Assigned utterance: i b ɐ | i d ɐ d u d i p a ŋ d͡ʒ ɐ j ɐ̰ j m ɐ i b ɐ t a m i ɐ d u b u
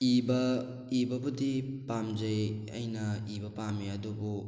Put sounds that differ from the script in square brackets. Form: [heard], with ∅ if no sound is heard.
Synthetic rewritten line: i b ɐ | i [b] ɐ [b] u d i p a [m] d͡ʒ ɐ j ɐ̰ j [n] ɐ i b ɐ [p] a m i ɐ d u b u